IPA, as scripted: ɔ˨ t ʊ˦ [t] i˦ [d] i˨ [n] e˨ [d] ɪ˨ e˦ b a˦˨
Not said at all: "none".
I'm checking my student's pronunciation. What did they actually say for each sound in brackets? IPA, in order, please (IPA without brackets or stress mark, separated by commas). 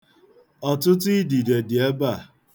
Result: t, d, d, d